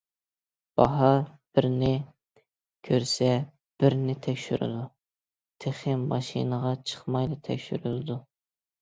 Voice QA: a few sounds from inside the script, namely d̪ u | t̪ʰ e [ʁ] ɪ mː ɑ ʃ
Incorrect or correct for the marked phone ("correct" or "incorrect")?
incorrect